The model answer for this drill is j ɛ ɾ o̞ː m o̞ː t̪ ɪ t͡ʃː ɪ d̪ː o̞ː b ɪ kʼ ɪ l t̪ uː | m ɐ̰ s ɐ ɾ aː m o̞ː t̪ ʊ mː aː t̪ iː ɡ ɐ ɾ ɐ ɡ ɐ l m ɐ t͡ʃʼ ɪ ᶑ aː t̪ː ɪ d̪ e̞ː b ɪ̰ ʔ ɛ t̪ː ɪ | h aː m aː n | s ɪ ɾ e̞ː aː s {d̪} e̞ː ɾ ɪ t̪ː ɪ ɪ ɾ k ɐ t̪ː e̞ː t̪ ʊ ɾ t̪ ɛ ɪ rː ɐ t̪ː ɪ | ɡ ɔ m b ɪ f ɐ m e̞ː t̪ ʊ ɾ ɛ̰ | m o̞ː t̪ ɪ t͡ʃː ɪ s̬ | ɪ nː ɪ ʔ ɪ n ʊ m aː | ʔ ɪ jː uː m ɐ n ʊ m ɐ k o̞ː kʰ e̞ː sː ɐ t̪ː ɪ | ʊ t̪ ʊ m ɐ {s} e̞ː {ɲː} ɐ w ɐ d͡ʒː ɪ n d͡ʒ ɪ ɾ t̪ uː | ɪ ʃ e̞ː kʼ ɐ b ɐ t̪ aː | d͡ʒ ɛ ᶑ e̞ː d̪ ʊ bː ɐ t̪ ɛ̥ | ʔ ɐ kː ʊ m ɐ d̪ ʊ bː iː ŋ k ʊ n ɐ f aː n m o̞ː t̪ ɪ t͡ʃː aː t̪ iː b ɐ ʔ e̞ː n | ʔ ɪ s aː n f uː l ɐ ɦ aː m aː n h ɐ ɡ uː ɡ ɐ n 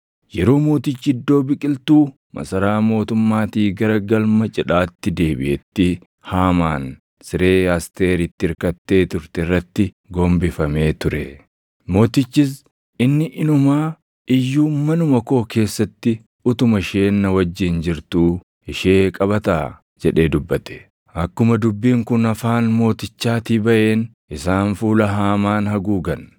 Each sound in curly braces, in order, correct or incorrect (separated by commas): incorrect, incorrect, incorrect